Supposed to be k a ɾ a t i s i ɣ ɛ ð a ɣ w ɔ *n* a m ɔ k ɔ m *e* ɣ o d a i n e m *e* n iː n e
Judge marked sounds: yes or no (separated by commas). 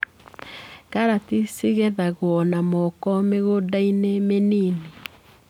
yes, yes, yes